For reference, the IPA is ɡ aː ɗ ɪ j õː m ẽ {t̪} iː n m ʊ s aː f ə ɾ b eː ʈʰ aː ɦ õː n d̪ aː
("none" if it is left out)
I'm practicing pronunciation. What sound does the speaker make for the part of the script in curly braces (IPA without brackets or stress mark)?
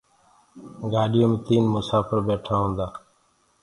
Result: t̪